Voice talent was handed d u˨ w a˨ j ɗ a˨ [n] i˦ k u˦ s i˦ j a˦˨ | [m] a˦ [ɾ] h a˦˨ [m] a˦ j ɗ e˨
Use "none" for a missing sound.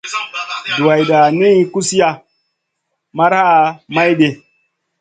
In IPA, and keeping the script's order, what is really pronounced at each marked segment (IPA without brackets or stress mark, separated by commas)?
n, m, ɾ, m